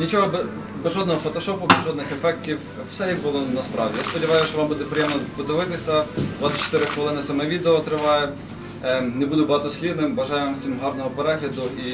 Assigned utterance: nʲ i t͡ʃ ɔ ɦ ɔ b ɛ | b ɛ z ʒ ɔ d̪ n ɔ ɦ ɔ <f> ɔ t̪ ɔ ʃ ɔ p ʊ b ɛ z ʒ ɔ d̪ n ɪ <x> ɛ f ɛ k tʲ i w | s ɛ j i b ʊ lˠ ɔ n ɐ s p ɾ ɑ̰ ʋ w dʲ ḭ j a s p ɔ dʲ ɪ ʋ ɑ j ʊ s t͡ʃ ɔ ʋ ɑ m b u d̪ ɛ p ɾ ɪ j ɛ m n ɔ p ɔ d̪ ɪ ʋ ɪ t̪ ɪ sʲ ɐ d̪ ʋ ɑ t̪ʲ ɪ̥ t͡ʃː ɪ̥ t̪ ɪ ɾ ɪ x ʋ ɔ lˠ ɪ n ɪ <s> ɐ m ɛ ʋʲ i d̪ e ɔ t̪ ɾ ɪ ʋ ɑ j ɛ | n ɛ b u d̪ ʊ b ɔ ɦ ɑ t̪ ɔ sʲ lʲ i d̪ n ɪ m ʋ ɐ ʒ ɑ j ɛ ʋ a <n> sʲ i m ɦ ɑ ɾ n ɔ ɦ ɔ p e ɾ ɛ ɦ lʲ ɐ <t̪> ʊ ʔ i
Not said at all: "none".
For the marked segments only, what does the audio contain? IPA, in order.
f, x, s, m, d̪

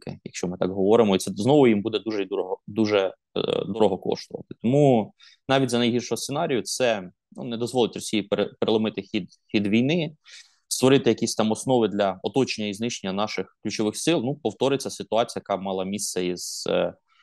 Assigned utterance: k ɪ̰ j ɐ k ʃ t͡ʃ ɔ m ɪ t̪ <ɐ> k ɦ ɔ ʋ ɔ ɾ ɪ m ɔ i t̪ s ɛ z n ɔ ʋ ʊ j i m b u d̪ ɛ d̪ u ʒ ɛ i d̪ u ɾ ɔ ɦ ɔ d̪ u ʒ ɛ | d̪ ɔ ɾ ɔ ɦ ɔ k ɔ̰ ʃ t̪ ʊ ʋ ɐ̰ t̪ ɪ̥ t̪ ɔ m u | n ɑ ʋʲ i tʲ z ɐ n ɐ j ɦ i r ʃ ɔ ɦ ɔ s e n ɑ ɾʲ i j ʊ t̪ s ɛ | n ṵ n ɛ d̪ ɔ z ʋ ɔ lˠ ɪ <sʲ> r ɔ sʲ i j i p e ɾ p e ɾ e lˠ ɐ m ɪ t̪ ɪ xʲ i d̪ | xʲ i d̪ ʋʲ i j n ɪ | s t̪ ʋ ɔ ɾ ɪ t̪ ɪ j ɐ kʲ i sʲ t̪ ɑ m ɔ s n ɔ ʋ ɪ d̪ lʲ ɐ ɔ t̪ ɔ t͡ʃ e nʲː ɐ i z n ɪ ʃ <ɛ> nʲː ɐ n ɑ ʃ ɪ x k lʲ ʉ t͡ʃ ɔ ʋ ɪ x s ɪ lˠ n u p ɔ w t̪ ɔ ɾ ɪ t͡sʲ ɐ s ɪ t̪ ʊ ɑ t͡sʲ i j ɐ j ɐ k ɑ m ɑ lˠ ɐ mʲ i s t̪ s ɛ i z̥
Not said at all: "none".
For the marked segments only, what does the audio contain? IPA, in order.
ɑ, tʲ, e

